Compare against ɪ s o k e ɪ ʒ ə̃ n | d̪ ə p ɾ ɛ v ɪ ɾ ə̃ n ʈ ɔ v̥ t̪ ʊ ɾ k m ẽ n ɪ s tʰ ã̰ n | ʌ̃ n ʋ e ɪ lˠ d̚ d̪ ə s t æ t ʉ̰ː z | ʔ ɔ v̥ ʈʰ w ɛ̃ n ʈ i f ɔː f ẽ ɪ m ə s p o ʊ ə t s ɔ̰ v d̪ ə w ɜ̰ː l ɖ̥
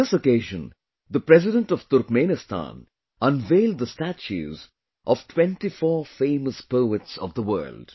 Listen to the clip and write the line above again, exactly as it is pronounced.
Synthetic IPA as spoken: ɪ s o k e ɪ ʒ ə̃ n | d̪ ə p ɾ ɛ z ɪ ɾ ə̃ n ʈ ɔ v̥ t̪ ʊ ɾ k m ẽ n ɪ s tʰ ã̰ n | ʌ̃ n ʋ e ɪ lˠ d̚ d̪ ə s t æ t͡ʃ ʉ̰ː z | ʔ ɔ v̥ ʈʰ w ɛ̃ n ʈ i f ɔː f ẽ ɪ m ə s p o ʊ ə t s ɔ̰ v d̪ ə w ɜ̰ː l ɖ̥

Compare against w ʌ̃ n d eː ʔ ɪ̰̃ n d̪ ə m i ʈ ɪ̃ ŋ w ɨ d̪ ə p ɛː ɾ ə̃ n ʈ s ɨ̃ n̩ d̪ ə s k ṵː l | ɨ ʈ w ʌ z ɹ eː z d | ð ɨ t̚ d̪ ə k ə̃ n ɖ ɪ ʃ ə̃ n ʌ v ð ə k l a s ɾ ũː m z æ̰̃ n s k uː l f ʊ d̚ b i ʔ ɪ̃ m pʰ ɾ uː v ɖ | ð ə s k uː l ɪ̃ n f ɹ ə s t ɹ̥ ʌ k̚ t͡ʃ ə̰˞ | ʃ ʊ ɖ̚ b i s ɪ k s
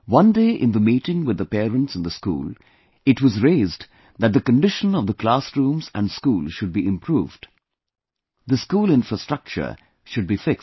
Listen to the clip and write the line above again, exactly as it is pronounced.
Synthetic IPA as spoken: w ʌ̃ n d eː ʔ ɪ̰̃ n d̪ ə m i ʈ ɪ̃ ŋ w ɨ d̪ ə p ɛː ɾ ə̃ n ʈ s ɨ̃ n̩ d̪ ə s k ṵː l | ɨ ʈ w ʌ z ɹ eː z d | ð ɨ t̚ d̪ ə k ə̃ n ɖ ɪ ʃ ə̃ n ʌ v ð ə k l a s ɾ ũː m z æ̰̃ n s k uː l ʃ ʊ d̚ b i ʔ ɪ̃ m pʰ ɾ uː v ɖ | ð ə s k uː l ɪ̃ n f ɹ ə s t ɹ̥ ʌ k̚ t͡ʃ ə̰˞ | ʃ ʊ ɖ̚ b i f ɪ k s

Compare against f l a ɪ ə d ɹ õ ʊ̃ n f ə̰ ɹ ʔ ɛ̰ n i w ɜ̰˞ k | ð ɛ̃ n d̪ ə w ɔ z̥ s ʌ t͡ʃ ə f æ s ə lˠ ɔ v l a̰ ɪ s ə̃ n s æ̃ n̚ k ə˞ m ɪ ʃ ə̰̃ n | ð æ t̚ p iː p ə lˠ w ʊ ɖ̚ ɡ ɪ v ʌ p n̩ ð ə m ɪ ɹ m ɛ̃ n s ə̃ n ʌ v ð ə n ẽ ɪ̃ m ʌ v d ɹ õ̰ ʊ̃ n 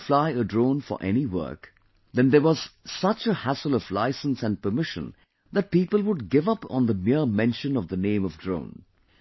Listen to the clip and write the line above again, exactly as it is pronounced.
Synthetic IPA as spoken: f l a ɪ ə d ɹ õ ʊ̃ n f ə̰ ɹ ʔ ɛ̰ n i w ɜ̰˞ k | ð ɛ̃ n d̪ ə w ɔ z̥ s ʌ t͡ʃ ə h æ s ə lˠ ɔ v l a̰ ɪ s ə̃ n s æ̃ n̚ p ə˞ m ɪ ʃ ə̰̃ n | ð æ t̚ p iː p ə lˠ w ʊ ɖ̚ ɡ ɪ v ʌ p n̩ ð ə m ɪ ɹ m ɛ̃ n ʃ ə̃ n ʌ v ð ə n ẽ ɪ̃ m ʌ v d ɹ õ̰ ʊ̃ n

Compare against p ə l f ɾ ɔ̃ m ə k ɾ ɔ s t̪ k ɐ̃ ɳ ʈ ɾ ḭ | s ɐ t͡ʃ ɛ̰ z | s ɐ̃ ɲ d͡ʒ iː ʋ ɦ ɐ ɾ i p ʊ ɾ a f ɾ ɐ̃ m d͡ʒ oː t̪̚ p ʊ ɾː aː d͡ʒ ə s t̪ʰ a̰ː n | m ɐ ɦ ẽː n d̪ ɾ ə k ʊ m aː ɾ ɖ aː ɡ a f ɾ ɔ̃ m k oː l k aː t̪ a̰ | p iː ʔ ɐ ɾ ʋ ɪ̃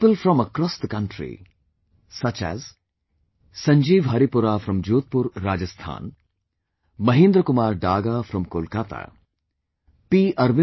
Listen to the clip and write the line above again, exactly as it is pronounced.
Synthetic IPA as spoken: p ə l f ɾ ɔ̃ m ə k ɾ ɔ s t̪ k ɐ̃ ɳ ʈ ɾ ḭ | s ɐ t͡ʃ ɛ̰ z | s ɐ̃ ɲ d͡ʒ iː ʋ ɦ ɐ ɾ i p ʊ ɾ a f ɾ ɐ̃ m d͡ʒ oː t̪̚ p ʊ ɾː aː d͡ʒ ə s t̪ʰ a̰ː n | m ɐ ɦ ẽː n d̪ ɾ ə k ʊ m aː ɾ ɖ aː ɡ a f ɾ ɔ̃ m k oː l k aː t̪ a̰ | p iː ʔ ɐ ɾ ʋ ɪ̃

